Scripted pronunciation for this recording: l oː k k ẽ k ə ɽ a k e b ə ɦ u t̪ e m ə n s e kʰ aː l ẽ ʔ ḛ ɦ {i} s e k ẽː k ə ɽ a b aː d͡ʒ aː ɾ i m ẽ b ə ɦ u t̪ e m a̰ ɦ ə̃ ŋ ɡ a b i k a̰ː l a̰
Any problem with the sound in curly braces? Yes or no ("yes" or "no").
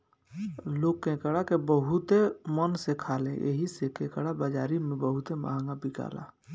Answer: no